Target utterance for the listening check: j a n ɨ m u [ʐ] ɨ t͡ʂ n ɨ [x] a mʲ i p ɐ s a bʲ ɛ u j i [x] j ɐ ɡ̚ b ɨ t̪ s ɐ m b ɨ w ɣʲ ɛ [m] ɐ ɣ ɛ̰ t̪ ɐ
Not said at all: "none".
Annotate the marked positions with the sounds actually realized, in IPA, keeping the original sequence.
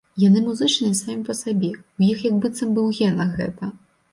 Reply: z, s, x, n

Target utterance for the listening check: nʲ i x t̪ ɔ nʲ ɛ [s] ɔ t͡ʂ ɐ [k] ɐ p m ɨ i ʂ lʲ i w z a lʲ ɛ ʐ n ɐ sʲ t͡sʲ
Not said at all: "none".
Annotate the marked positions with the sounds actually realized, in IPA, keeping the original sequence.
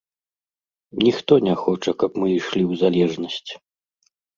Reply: x, k

